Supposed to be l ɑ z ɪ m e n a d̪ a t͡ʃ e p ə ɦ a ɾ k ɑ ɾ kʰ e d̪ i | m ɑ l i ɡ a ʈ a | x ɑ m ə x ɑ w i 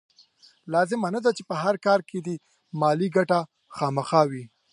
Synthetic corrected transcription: l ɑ z ɪ m a n a d̪ a t͡ʃ e p ə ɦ a ɾ k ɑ ɾ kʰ e d̪ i | m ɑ l i ɡ a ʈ a | x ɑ m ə x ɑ w i

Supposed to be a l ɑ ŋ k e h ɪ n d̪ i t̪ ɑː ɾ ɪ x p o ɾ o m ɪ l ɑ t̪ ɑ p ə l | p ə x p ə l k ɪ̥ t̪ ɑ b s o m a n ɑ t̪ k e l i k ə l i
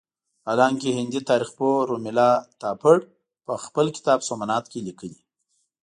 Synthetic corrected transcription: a l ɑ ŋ k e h ɪ n d̪ i t̪ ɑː ɾ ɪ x p o ɾ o m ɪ l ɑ t̪ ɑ p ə ɽ | p ə x p ə l k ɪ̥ t̪ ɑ b s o m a n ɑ t̪ k e l i k ə l i

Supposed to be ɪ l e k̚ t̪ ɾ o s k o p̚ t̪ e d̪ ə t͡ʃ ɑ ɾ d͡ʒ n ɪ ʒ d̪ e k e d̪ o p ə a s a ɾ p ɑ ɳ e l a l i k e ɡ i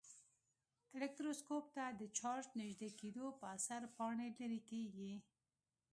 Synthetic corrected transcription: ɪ l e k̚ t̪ ɾ o s k o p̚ t̪ a d̪ ə t͡ʃ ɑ ɾ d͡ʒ n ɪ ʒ d̪ e k e d̪ o p ə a s a ɾ p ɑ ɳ e l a ɾ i k e ɡ i

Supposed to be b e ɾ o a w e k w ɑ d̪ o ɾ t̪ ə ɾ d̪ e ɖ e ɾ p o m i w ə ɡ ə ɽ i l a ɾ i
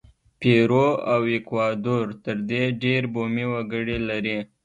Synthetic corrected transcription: p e ɾ o a w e k w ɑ d̪ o ɾ t̪ ə ɾ d̪ e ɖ e ɾ b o m i w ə ɡ ə ɽ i l a ɾ i

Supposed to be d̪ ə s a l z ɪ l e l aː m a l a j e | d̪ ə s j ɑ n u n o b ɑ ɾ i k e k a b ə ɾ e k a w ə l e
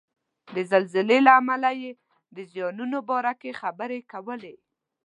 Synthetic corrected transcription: d̪ ə z a l z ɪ l e l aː m a l a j e | d̪ ə z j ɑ n u n o b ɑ ɾ a k e x a b ə ɾ e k a w ə l e

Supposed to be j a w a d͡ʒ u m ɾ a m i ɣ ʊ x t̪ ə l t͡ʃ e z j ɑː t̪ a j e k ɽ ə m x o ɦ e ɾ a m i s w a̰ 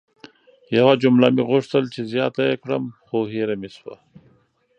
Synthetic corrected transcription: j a w a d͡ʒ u m l a m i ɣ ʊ ʂ t̪ ə l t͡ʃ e z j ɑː t̪ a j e k ɽ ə m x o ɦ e ɾ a m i s w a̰

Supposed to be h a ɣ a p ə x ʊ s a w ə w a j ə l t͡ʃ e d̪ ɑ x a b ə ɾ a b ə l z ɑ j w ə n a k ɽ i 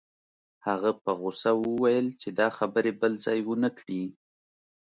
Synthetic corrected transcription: h a ɣ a p ə ɣ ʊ s a w ə w a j ə l t͡ʃ e d̪ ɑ x a b ə ɾ e b ə l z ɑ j w ə n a k ɽ i

